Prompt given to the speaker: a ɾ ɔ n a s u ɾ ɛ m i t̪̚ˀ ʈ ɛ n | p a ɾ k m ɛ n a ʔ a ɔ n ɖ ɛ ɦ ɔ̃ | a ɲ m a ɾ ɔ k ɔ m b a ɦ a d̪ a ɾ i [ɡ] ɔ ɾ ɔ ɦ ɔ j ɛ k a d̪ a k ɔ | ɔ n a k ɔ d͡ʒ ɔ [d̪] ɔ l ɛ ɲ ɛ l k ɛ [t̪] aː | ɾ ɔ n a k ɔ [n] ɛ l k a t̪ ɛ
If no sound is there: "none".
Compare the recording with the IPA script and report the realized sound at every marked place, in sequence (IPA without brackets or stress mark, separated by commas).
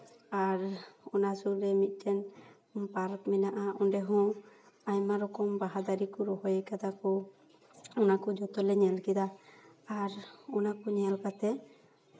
k, t̪, d̪, ɲ